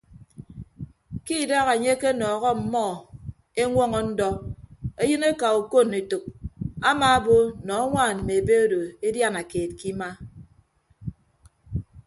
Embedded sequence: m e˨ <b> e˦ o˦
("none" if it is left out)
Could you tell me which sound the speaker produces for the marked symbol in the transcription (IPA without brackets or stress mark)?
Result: b